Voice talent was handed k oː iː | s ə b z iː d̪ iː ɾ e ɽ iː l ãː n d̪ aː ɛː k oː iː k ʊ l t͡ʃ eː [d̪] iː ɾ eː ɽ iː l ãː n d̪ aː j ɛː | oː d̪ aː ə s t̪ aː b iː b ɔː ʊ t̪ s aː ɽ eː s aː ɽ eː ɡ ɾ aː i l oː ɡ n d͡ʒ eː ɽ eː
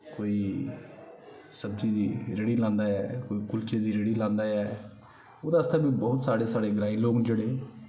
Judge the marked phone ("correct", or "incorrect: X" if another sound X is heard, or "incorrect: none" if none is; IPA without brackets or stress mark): correct